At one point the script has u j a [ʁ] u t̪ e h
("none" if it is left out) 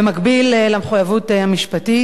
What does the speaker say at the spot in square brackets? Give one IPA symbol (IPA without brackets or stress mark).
v